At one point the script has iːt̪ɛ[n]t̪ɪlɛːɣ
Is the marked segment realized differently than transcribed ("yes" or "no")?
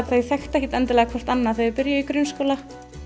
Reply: no